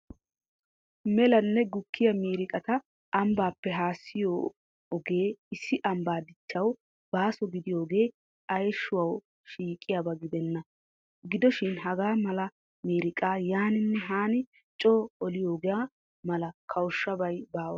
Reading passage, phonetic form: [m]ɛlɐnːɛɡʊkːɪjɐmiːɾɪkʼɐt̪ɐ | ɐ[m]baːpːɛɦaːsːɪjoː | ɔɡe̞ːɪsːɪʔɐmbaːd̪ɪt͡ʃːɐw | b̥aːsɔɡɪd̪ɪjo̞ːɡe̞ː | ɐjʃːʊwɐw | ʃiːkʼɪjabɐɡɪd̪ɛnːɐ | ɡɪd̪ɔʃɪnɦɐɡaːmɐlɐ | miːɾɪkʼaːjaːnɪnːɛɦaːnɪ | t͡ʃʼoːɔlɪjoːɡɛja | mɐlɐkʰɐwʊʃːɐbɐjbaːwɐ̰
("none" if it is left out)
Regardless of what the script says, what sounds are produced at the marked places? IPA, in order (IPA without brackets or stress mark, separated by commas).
m, m